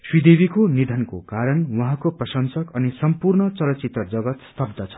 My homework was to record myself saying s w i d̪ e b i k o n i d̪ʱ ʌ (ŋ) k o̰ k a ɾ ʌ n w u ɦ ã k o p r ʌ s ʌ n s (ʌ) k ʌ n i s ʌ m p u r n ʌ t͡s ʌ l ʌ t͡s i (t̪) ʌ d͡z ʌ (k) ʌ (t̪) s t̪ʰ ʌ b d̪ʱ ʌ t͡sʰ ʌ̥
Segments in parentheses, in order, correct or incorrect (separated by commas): incorrect, correct, correct, incorrect, correct